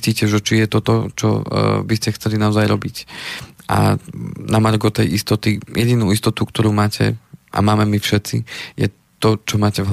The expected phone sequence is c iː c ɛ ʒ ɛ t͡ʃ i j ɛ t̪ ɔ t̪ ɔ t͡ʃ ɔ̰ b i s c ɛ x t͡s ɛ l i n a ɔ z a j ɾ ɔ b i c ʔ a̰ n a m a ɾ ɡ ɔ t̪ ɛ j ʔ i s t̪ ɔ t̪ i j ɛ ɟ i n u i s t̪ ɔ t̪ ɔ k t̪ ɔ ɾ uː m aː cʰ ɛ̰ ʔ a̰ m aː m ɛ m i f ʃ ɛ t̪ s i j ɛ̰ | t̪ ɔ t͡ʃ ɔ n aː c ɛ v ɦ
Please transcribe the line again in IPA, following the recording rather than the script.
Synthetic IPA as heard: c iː c ɛ ʒ ɛ t͡ʃ i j ɛ t̪ ɔ t̪ ɔ t͡ʃ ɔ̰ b i s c ɛ x t͡s ɛ l i n a ɔ z a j ɾ ɔ b i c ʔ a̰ n a m a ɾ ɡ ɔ t̪ ɛ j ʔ i s t̪ ɔ t̪ i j ɛ ɟ i n u i s t̪ ɔ t̪ u k t̪ ɔ ɾ uː m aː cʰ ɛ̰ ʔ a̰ m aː m ɛ m i f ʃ ɛ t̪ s i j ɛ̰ | t̪ ɔ t͡ʃ ɔ m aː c ɛ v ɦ